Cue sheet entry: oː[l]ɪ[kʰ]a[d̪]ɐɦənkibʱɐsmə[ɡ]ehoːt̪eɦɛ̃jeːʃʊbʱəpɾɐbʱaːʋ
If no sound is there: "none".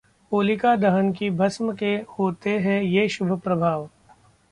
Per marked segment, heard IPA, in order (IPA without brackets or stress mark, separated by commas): l, k, d̪, k